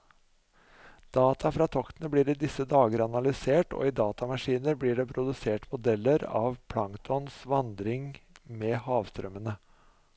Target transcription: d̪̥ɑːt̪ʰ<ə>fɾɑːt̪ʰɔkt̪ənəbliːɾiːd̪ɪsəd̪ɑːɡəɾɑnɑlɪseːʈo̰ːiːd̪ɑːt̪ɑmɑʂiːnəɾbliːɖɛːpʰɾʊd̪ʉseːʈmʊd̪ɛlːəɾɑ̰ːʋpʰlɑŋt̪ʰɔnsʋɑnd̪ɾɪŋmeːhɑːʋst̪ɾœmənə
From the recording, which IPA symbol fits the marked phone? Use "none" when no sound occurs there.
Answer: ɑ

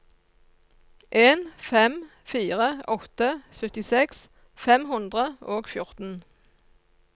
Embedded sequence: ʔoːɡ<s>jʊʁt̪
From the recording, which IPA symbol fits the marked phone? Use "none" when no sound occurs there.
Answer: f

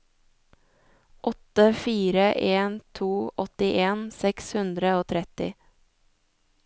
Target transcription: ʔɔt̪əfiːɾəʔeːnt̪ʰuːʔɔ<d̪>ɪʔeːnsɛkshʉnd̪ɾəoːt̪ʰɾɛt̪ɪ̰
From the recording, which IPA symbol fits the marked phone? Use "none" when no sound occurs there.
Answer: t̪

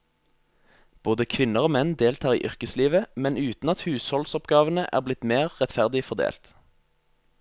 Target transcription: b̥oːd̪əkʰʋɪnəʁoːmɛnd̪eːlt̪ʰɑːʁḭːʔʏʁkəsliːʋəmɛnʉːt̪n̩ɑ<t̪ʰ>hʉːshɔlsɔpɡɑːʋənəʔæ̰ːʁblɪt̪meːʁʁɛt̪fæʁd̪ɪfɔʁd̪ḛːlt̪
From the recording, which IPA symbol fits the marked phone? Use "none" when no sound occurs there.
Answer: t̪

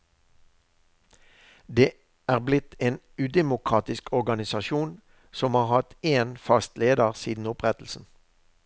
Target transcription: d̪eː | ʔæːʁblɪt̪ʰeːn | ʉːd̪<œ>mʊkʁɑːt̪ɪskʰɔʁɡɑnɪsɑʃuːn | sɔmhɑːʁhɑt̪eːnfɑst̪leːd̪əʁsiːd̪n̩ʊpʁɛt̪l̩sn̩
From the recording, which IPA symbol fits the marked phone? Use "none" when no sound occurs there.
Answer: ɛ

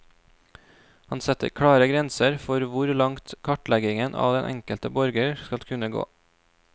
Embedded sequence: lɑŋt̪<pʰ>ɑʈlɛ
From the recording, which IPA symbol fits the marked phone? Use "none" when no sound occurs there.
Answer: kʰ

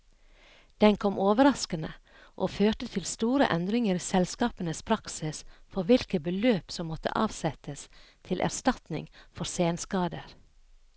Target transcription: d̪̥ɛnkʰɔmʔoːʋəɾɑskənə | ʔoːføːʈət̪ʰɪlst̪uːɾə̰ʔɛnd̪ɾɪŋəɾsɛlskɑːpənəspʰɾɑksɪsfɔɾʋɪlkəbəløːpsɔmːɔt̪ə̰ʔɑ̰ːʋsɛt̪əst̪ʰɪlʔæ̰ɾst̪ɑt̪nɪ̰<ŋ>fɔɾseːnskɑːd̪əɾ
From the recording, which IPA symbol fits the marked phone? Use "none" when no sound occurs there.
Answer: ŋ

